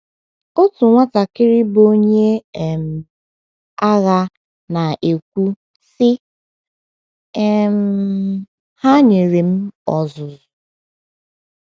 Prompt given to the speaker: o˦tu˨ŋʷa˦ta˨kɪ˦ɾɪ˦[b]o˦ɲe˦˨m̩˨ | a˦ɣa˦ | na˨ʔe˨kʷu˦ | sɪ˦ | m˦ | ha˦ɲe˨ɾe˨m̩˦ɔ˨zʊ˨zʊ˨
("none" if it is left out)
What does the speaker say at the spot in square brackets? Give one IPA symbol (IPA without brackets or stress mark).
b